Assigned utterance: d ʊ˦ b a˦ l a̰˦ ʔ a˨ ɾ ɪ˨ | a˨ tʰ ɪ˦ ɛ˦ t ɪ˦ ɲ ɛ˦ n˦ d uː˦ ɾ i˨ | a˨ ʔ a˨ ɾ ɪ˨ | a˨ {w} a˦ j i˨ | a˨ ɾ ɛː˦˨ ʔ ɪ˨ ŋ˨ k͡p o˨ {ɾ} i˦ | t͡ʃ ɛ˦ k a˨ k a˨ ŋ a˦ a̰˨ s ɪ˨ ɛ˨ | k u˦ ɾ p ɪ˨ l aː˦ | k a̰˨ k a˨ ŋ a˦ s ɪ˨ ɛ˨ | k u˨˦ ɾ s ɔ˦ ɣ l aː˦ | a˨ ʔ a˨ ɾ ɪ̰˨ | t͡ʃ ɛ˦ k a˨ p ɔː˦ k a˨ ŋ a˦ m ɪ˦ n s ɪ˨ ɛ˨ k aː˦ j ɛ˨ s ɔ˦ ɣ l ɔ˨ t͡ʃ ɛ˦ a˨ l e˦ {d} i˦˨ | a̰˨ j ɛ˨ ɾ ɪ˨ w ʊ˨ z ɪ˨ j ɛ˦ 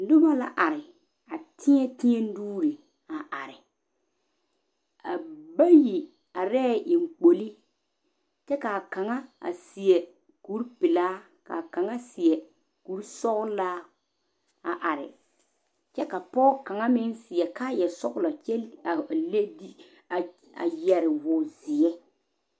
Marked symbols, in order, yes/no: no, no, yes

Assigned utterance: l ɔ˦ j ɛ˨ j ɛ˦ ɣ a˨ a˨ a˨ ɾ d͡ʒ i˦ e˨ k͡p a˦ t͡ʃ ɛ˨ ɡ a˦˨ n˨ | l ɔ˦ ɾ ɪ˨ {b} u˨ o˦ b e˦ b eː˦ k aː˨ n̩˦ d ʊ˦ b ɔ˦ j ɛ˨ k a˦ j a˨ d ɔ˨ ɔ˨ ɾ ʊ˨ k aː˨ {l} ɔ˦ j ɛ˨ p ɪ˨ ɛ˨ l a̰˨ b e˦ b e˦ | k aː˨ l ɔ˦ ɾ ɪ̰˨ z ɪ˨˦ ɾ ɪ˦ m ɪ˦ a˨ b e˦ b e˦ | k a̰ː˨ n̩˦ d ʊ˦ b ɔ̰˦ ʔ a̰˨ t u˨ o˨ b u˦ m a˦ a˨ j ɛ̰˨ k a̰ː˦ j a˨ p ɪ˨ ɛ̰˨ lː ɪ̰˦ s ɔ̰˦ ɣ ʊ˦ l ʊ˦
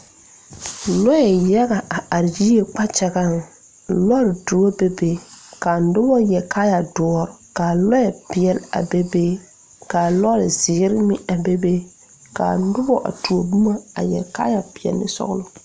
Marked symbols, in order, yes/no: no, yes

